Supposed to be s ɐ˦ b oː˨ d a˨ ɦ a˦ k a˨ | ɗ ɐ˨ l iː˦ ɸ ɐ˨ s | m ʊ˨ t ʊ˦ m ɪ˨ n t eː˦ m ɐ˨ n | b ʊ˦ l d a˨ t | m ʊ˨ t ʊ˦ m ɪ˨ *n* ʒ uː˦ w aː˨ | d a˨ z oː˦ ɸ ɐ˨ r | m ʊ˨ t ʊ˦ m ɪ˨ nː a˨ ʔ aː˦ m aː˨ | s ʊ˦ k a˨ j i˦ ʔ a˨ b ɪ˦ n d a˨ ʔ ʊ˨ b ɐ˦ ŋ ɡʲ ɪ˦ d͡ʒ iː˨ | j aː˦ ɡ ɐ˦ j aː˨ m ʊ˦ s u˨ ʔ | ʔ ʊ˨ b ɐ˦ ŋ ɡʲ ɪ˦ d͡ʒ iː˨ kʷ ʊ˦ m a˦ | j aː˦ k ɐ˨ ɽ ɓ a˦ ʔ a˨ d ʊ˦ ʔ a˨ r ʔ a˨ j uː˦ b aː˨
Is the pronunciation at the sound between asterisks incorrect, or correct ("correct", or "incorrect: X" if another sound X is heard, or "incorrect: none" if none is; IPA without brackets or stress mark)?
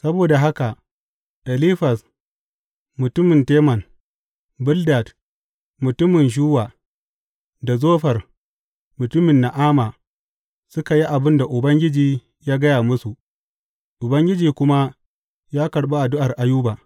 correct